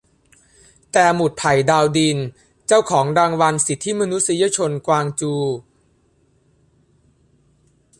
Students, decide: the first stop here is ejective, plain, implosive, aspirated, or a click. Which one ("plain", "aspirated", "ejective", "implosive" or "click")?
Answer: plain